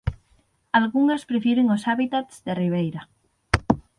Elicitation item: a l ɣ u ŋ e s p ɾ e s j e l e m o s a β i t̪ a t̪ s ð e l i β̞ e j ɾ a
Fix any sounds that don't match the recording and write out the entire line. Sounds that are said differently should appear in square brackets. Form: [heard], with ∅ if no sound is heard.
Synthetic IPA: a l ɣ u ŋ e s p ɾ e [f] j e [ɾ] e [ŋ] o s a β i t̪ a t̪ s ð e [r] i β̞ e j ɾ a